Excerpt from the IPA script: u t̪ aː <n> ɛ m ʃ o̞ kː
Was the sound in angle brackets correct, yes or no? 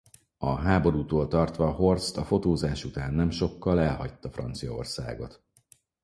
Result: no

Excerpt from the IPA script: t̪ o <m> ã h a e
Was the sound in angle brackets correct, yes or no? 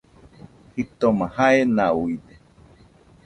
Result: yes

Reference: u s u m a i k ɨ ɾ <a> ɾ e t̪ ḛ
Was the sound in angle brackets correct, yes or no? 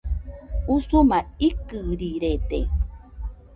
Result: no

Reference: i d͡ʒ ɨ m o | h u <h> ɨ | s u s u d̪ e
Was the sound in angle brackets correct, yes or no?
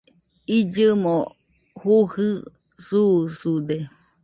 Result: yes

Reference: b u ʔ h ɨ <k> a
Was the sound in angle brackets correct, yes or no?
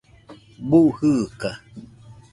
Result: yes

